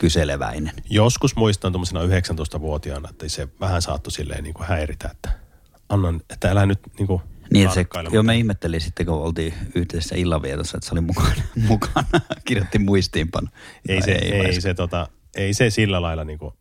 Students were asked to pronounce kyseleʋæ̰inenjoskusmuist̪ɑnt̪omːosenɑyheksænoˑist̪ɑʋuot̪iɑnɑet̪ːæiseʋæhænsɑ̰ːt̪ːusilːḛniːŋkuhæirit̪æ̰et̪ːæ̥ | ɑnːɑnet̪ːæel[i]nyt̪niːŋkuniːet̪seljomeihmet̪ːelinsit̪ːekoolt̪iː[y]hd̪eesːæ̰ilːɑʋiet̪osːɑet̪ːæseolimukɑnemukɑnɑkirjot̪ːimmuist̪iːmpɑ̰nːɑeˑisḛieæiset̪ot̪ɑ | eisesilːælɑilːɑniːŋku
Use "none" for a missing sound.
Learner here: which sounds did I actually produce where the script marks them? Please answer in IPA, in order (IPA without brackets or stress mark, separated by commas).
æ, y